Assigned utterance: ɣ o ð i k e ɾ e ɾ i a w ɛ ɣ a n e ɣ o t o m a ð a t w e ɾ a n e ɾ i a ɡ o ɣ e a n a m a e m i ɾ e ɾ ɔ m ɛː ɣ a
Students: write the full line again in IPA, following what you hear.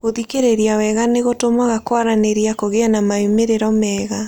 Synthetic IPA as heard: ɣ o ð i k e ɾ e ɾ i a w ɛ ɣ a n e ɣ o t o m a ɣ a k w a ɾ a n e ɾ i a k o ɣ e a n a m a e m e ɾ e ɾ ɔ m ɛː ɣ a